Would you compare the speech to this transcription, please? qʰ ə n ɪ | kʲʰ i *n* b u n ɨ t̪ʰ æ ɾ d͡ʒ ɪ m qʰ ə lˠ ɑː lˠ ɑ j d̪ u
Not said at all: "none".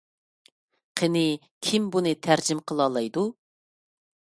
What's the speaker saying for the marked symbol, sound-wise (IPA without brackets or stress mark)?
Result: m